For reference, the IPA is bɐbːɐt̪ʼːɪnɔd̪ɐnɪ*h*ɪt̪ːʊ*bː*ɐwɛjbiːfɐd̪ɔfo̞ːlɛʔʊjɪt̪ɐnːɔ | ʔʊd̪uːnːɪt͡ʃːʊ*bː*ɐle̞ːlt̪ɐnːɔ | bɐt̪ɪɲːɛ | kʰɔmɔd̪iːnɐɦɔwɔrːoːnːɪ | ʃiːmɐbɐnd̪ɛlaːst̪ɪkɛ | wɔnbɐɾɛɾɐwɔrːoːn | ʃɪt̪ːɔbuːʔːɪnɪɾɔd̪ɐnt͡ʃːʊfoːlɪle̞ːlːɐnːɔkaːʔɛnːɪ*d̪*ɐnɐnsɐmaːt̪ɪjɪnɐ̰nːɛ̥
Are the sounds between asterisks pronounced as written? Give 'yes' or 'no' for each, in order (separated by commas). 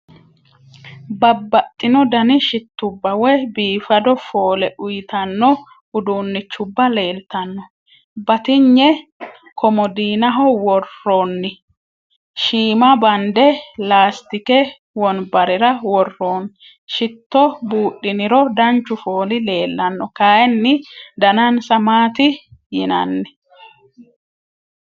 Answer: no, yes, yes, yes